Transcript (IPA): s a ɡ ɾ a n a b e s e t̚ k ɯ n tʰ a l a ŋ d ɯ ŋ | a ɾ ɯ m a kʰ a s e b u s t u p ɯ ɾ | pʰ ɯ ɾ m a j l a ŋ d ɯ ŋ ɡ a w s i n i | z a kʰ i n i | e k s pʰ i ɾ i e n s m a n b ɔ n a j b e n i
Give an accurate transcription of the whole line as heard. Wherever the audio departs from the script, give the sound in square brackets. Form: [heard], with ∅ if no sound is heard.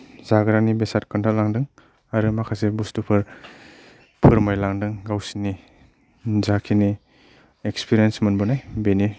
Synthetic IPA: [z] a ɡ ɾ a n [i] b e s [a] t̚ k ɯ n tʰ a l a ŋ d ɯ ŋ | a ɾ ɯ m a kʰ a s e b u s t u [pʰ] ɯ ɾ | pʰ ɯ ɾ m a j l a ŋ d ɯ ŋ ɡ a w s i n i | z a kʰ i n i | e k s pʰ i ɾ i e n s m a n b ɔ n a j b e n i